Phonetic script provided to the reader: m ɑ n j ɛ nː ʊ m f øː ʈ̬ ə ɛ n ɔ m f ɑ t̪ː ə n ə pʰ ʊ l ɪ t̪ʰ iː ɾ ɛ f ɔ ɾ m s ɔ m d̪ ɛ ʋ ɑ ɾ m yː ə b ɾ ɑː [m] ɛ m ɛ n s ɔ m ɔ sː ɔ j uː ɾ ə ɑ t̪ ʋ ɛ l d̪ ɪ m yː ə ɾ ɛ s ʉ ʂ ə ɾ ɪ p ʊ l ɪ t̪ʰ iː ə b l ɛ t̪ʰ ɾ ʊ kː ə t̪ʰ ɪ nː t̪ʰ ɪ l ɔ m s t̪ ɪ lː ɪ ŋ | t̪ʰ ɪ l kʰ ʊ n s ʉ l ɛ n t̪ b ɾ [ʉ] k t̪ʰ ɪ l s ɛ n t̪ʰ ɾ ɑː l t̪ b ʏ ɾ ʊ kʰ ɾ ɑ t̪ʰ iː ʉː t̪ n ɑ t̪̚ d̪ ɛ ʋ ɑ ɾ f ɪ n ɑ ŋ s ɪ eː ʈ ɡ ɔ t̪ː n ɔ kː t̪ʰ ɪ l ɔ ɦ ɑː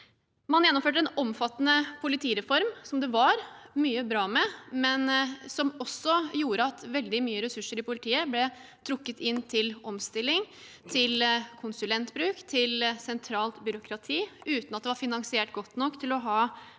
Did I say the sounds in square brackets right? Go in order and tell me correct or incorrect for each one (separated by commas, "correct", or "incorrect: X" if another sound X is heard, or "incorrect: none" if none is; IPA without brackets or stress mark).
correct, incorrect: ʉː